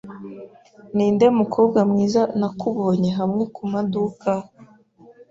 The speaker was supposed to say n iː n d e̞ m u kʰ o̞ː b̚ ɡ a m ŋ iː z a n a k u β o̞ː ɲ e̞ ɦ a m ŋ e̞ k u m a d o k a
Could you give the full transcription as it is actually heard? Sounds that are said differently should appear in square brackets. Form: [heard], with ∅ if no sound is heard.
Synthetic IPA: n iː n d e̞ m u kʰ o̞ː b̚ ɡ a m ŋ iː z a n a k u β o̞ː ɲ e̞ ɦ a m ŋ e̞ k u m a d [u] k a

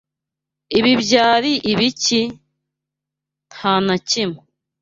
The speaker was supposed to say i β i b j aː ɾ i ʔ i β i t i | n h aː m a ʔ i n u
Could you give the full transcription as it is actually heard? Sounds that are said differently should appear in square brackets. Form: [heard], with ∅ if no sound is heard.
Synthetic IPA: i β i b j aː ɾ i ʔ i β i [c] i | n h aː [n] a [c] i [m] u

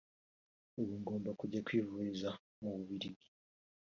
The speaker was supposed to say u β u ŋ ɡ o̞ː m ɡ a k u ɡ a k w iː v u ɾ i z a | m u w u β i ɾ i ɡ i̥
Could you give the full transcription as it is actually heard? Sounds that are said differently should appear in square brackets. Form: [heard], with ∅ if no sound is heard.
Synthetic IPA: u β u ŋ ɡ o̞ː m [b] a k u [ɟ] a k w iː v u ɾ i z a | m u [β] u β i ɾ i ɡ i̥

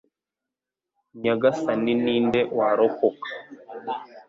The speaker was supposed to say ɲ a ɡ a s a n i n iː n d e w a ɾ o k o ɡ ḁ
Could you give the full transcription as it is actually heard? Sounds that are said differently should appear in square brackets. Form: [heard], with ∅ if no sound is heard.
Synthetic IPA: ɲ a ɡ a s a n i n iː n d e w a ɾ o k o [k] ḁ

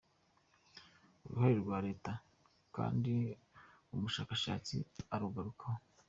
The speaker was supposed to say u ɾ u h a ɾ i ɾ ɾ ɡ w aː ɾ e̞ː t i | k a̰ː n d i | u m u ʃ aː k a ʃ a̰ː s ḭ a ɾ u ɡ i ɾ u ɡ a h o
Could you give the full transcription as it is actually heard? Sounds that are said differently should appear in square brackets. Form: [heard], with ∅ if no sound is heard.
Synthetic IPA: u ɾ u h a ɾ i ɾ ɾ ɡ w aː ɾ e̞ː t [a] | k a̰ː n d i | u m u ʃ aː k a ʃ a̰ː [t͡s] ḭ a ɾ u ɡ [a] ɾ u [k] a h o

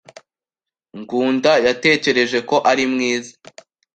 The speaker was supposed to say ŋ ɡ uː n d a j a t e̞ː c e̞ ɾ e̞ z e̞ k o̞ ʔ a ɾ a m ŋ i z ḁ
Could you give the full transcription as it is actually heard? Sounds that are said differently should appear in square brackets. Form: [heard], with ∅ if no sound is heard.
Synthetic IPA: ŋ ɡ uː n d a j a t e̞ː c e̞ ɾ e̞ [ʒ] e̞ k o̞ ʔ a ɾ [i] m ŋ [iː] z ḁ

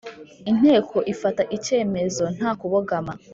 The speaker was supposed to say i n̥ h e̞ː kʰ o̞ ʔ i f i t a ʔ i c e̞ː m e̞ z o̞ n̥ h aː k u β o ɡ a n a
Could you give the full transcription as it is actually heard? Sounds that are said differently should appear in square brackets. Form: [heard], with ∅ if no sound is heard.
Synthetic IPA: i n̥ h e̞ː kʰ o̞ ʔ i f [a] t a ʔ i c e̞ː m e̞ z o̞ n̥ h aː k u β o ɡ a [m] a

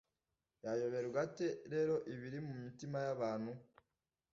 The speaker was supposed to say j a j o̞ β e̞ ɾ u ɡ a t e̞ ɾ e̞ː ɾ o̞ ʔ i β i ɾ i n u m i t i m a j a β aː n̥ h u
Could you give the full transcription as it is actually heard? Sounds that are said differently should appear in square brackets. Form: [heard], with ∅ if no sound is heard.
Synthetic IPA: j a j o̞ β e̞ ɾ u ɡ a t e̞ ɾ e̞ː ɾ o̞ ʔ i β i ɾ i [m] u m i t i m a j a β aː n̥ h u

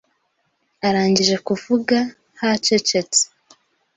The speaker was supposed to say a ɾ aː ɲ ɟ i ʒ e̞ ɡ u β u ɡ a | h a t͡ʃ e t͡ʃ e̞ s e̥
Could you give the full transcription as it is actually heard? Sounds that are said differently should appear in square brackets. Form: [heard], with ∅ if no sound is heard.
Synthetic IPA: a ɾ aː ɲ ɟ i ʒ e̞ [k] u [v] u ɡ a | h a t͡ʃ e t͡ʃ e̞ [t͡s] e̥

